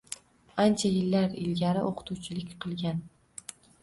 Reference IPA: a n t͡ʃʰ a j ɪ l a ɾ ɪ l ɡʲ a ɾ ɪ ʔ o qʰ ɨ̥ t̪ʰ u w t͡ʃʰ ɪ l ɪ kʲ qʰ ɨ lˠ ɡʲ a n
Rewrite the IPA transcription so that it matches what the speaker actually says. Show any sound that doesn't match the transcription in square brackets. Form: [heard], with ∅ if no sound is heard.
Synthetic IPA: a n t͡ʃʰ a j ɪ [lː] a ɾ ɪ l ɡʲ a ɾ ɪ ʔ o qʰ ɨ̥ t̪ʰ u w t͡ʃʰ ɪ l ɪ kʲ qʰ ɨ lˠ ɡʲ a n